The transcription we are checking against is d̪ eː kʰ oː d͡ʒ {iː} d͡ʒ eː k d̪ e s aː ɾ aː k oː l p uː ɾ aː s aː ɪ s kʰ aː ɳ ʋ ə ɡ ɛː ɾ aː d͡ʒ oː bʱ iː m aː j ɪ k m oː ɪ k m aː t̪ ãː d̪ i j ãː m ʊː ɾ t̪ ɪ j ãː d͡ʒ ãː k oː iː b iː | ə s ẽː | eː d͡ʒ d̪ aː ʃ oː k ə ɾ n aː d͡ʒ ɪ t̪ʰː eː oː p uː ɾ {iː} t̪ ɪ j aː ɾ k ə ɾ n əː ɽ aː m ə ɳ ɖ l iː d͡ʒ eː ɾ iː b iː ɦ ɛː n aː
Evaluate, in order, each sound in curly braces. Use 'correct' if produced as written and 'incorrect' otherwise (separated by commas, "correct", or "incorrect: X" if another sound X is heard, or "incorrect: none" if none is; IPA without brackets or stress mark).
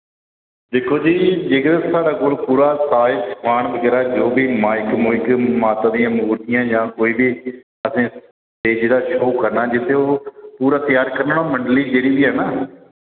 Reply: correct, incorrect: aː